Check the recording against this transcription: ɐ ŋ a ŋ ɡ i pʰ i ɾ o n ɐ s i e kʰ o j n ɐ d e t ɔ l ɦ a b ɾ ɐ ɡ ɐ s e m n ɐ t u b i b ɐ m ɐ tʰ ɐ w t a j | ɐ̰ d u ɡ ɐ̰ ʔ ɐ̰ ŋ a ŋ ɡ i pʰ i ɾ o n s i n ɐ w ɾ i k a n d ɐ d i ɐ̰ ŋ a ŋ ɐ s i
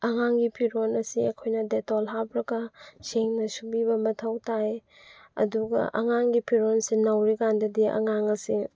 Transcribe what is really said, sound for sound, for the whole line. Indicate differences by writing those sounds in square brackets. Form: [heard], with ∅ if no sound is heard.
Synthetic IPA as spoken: ɐ ŋ a ŋ ɡ i pʰ i ɾ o n ɐ s i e kʰ o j n ɐ d e t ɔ l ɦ a b ɾ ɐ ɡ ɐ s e [ŋ] n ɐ [s] u b i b ɐ m ɐ tʰ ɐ w t a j | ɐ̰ d u ɡ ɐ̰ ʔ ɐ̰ ŋ a ŋ ɡ i pʰ i ɾ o n s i n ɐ w ɾ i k a n d ɐ d i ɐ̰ ŋ a ŋ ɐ s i